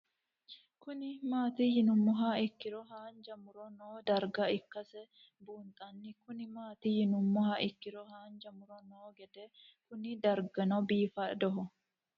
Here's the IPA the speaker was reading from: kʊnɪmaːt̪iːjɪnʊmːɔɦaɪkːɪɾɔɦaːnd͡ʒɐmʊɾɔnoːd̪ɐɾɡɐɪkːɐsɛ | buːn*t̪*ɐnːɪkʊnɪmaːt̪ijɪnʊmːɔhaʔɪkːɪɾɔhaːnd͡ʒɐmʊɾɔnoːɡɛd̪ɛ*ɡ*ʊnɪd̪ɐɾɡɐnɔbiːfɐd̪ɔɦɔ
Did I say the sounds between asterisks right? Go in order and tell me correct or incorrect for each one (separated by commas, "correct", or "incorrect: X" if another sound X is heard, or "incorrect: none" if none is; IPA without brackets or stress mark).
incorrect: t̪ʼ, incorrect: k